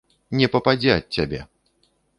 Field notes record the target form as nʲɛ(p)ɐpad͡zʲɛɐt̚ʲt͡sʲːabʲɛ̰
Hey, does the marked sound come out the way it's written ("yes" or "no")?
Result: yes